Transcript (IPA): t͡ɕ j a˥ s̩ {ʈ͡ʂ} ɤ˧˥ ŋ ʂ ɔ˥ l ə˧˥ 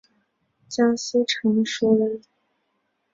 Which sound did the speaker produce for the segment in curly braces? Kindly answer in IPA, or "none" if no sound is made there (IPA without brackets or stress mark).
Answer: ʈ͡ʂʰ